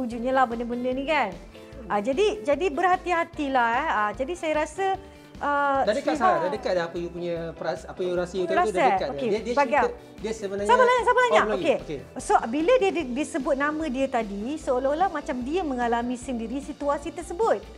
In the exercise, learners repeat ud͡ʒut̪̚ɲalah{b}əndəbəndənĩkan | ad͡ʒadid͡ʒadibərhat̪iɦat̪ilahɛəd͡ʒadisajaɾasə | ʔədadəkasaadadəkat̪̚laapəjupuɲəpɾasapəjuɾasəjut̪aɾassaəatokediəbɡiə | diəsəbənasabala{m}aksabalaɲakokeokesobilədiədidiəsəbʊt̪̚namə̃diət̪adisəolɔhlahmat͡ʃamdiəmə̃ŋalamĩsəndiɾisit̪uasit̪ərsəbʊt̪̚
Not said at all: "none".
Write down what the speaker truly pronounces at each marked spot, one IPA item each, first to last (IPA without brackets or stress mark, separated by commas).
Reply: b, ɲ